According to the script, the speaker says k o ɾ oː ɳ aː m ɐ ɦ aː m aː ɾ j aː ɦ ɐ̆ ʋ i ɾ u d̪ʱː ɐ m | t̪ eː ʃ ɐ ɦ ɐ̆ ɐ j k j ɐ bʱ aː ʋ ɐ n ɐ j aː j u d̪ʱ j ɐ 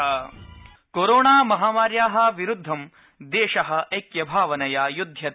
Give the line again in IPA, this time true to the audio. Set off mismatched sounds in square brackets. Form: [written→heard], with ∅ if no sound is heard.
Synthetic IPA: k o ɾ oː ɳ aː m ɐ ɦ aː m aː ɾ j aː ɦ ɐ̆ ʋ i ɾ u d̪ʱː ɐ m | [t̪→d̪] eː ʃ ɐ ɦ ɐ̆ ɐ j k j ɐ bʱ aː ʋ ɐ n ɐ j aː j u d̪ʱ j ɐ

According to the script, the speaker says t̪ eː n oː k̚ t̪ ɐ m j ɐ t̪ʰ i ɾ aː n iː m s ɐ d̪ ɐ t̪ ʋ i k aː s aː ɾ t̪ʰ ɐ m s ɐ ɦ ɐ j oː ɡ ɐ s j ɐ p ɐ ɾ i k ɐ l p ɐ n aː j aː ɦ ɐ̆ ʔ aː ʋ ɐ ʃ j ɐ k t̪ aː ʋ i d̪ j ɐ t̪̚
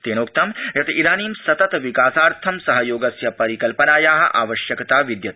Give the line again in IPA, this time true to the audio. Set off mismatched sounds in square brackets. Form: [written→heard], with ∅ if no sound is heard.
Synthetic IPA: t̪ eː n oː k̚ t̪ ɐ m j ɐ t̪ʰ i ɾ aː n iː m s ɐ [d̪→t̪] ɐ t̪ ʋ i k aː s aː ɾ t̪ʰ ɐ m s ɐ ɦ ɐ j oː ɡ ɐ s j ɐ p ɐ ɾ i k ɐ l p ɐ n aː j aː ɦ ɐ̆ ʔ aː ʋ ɐ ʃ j ɐ k t̪ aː ʋ i d̪ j ɐ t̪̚

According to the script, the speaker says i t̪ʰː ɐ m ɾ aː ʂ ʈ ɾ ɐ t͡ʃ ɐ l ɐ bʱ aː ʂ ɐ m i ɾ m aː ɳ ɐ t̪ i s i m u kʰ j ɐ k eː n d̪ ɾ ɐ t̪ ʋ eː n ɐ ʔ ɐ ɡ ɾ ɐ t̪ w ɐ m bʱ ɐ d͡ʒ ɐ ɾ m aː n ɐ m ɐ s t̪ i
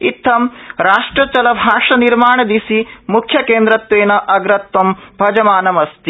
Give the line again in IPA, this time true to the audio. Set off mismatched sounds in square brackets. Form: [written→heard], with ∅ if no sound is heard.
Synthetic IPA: i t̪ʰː ɐ m ɾ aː ʂ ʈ ɾ ɐ t͡ʃ ɐ l ɐ bʱ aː ʂ ɐ [m→n] i ɾ m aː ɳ ɐ [t̪→d̪] i s i m u kʰ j ɐ k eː n d̪ ɾ ɐ t̪ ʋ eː n ɐ ʔ ɐ ɡ ɾ ɐ t̪ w ɐ m bʱ ɐ d͡ʒ ɐ [ɾ→∅] m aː n ɐ m ɐ s t̪ i

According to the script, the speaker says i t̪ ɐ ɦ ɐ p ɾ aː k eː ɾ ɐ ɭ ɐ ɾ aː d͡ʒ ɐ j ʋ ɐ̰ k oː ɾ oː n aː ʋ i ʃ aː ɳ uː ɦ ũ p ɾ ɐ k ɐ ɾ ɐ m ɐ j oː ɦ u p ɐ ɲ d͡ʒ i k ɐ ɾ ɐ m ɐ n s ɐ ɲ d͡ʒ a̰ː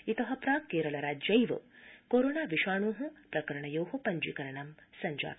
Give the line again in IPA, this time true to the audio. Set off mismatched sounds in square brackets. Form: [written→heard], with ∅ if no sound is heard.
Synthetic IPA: i t̪ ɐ ɦ ɐ p ɾ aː k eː ɾ ɐ ɭ ɐ ɾ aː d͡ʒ ɐ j ʋ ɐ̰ k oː ɾ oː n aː ʋ i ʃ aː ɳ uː ɦ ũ p ɾ ɐ k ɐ ɾ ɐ [m→ɳ] ɐ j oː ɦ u p ɐ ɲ d͡ʒ i k ɐ ɾ ɐ [m→ɳ] ɐ [n→m] s ɐ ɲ d͡ʒ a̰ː

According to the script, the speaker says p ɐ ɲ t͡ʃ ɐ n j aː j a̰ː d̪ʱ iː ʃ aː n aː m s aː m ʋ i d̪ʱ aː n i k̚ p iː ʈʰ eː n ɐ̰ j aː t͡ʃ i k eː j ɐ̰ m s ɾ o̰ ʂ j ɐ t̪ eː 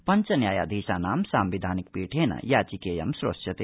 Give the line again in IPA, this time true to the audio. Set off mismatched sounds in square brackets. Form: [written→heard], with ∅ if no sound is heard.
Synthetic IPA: p ɐ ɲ t͡ʃ ɐ n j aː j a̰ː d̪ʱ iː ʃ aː n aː m s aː m ʋ i d̪ʱ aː n i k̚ p iː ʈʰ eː n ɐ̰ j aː t͡ʃ i k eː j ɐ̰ m s ɾ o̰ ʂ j ɐ t̪ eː

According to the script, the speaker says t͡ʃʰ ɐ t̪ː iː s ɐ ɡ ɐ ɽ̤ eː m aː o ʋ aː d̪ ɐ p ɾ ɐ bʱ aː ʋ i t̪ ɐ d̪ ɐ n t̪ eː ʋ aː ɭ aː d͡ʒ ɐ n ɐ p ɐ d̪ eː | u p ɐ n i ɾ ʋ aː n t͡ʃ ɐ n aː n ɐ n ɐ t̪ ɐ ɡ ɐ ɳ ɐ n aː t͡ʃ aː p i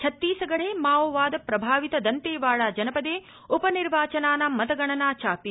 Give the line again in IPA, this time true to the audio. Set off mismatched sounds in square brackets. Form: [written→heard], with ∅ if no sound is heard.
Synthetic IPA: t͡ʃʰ ɐ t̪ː iː s ɐ ɡ ɐ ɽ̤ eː m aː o ʋ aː d̪ ɐ p ɾ ɐ bʱ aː ʋ i t̪ ɐ d̪ ɐ n t̪ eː ʋ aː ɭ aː d͡ʒ ɐ n ɐ p ɐ d̪ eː | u p ɐ n i ɾ ʋ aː [n→∅] t͡ʃ ɐ n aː n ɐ [n→m] ɐ t̪ ɐ ɡ ɐ ɳ ɐ n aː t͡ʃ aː p i

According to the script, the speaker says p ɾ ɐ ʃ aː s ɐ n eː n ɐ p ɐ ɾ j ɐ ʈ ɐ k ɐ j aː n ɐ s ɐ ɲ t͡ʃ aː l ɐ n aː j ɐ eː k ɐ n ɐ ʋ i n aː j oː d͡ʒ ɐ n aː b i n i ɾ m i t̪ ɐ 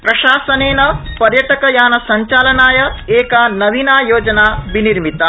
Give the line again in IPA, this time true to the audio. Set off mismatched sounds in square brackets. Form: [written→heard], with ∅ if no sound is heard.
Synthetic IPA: p ɾ ɐ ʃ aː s ɐ n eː n ɐ p ɐ ɾ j ɐ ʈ ɐ k ɐ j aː n ɐ s ɐ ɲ t͡ʃ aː l ɐ n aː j ɐ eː k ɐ n ɐ ʋ i n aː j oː d͡ʒ ɐ n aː b i n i ɾ m i t̪ ɐ

